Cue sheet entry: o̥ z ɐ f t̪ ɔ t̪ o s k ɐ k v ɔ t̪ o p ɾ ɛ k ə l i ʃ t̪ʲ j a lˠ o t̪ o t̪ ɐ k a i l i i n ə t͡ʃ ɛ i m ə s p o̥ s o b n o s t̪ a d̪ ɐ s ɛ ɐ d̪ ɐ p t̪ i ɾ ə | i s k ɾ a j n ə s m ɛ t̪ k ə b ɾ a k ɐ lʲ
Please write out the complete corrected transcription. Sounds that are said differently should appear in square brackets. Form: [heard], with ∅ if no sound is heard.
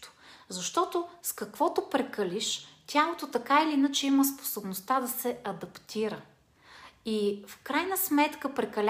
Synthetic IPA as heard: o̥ z ɐ [ʃ] t̪ ɔ t̪ o s k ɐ k v ɔ t̪ o p ɾ ɛ k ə l i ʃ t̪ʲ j a lˠ o t̪ o t̪ ɐ k a i l i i n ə t͡ʃ ɛ i m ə s p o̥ s o b n o s t̪ a d̪ ɐ s ɛ ɐ d̪ ɐ p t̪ i ɾ ə | i [f] k ɾ a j n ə s m ɛ t̪ k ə [p] ɾ [ɛ] k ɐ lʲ